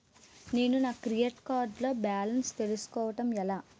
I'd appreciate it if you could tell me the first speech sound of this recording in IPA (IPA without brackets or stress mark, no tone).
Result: n